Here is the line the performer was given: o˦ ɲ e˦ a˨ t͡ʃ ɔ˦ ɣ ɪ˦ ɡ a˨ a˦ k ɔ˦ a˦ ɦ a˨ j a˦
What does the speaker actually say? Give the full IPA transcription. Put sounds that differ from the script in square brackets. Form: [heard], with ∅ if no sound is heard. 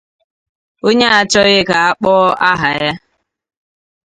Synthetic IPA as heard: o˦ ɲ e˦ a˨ t͡ʃ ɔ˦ ɣ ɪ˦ [k] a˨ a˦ [k͡p] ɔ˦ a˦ ɦ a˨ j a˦